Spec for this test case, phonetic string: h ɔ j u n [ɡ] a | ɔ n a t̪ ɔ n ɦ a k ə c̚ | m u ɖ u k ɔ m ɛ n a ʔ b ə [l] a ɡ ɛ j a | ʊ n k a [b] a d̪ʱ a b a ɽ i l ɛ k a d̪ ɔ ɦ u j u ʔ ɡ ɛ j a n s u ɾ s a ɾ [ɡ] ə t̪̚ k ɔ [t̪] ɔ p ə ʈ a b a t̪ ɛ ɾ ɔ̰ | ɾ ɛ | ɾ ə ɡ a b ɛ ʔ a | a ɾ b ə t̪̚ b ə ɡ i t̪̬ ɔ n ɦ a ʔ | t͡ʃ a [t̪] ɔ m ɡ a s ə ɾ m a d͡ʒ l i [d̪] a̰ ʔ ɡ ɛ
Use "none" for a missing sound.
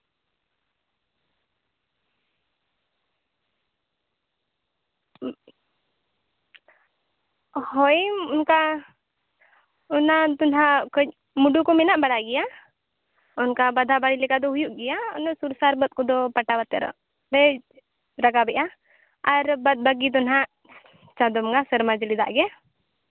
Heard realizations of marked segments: k, ɽ, b, b, d̪, d̪, d̪

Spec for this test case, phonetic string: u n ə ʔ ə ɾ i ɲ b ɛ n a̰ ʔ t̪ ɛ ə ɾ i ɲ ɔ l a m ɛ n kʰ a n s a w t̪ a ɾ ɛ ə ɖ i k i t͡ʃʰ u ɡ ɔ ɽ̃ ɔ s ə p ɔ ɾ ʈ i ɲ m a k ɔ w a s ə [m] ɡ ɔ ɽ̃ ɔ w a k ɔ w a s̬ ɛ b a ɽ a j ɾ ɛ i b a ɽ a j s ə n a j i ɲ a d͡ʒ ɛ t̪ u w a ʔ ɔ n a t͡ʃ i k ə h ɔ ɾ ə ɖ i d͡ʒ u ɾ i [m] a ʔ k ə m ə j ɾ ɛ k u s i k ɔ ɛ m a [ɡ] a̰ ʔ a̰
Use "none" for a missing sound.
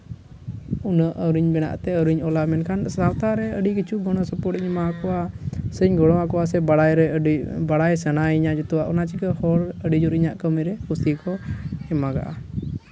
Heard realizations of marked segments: ɲ, ɲ, ɡ

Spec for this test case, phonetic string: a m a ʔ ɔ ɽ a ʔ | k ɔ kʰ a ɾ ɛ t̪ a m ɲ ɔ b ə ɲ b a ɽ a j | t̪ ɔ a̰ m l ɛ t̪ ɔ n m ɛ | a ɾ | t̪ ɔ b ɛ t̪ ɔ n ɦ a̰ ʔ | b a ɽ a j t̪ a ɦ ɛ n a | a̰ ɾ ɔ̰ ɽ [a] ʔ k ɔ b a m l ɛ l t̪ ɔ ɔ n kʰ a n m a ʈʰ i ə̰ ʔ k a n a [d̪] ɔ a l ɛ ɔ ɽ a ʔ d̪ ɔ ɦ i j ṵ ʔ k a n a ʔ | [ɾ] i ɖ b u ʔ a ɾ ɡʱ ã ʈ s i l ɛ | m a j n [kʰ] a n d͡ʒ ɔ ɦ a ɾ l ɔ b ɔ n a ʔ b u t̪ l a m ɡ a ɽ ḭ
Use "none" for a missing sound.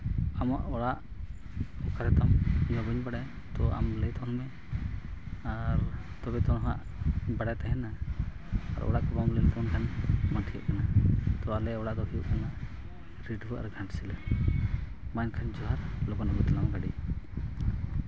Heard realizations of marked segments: a, t̪, ɾ, kʰ

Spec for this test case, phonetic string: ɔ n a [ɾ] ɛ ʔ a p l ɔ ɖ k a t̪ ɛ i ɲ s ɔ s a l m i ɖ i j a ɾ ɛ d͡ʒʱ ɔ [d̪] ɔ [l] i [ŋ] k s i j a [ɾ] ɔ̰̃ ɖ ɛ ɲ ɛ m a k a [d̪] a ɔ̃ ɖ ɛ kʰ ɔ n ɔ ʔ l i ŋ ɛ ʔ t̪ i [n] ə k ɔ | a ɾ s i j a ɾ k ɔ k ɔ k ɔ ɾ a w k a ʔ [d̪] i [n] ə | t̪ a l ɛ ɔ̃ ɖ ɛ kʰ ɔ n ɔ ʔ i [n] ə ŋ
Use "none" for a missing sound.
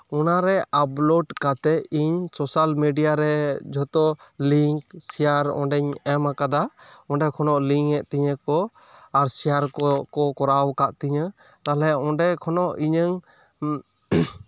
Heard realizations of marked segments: ɾ, t̪, l, ŋ, ɾ, d̪, ɲ, t̪, ɲ, ɲ

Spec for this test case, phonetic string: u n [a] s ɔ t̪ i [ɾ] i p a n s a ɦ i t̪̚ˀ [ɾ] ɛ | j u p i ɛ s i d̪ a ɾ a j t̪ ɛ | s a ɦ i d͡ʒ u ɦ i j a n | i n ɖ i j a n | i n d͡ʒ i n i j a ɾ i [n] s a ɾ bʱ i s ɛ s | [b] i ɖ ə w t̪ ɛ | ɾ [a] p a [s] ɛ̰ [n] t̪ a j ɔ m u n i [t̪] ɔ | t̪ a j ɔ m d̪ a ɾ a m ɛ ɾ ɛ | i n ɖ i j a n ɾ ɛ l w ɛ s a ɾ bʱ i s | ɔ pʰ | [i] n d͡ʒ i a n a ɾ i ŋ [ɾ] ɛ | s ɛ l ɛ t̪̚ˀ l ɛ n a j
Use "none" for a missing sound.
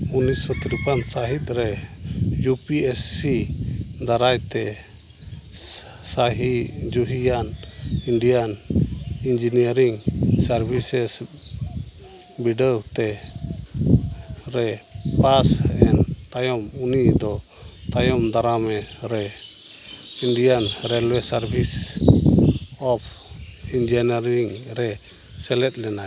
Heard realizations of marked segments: i, ɾ, ɾ, ŋ, b, ɛ, s, n, d̪, i, ɾ

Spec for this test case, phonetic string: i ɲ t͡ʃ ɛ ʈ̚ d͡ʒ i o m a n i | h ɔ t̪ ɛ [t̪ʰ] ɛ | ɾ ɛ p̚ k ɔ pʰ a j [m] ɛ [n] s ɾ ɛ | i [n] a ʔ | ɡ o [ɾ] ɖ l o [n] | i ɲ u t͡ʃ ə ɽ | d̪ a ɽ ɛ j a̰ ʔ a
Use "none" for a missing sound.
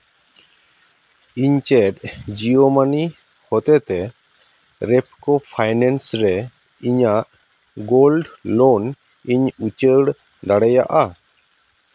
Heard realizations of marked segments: t̪, n, n, ɲ, l, n

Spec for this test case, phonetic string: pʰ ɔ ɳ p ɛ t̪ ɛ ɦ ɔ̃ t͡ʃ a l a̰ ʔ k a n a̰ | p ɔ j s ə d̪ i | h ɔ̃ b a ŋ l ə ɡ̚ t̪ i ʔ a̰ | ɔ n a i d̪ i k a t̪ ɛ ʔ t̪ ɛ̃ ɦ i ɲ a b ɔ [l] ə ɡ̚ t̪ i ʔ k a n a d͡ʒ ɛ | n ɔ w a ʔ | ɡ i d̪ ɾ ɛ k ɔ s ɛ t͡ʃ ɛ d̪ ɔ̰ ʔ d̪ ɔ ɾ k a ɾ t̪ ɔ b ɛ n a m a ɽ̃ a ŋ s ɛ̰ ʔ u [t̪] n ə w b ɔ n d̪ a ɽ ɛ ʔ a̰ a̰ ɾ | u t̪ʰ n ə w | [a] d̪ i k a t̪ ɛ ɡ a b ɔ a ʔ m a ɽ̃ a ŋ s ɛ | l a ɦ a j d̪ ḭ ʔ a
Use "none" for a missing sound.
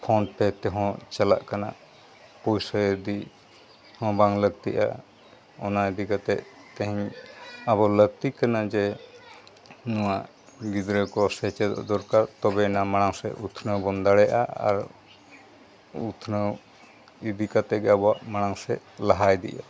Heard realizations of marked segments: l, t̪ʰ, i

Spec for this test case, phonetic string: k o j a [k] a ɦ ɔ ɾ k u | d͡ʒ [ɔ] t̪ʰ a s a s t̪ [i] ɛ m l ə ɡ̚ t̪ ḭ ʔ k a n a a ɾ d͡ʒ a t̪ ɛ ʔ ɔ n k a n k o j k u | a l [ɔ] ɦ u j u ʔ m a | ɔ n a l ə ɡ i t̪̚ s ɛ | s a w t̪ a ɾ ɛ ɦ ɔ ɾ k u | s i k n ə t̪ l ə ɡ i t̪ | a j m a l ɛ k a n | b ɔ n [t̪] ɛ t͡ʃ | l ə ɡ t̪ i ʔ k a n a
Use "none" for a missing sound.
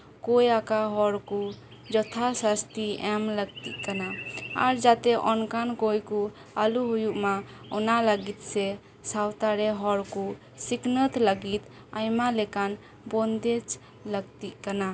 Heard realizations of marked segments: k, ɔ, i, u, d̪

